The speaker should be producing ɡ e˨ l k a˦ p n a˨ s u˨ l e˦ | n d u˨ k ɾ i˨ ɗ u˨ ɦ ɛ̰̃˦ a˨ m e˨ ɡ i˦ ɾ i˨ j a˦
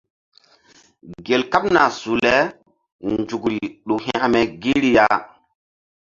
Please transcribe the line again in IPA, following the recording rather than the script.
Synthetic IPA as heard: ɡ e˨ l k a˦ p n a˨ s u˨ l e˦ | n d͡ʒ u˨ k ɾ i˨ ɗ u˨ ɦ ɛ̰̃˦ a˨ m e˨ ɡ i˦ ɾ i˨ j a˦